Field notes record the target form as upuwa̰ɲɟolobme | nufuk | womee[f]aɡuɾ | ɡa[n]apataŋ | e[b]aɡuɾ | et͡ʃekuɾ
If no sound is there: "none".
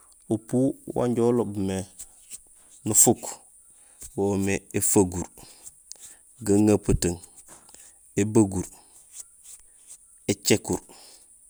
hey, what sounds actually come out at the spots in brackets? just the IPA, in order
f, ŋ, b

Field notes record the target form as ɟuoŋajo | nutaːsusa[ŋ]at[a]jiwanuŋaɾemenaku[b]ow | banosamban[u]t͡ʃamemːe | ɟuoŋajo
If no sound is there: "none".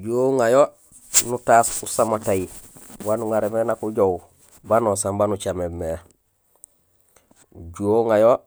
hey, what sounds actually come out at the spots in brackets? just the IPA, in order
m, a, ɟ, u

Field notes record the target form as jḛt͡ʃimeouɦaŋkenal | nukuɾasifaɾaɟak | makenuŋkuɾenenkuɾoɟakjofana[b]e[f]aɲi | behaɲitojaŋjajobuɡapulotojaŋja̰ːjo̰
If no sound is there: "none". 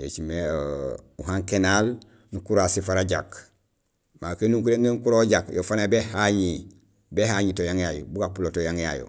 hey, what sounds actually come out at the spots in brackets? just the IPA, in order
b, h

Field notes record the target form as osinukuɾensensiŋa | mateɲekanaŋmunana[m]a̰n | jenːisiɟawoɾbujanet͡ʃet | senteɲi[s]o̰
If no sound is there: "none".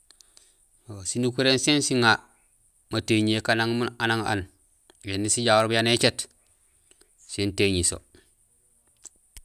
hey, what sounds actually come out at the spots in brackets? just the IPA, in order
ŋ, s

